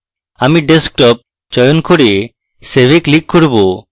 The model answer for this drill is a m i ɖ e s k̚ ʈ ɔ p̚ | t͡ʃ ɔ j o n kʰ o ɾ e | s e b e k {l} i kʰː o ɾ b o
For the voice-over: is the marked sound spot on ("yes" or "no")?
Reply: yes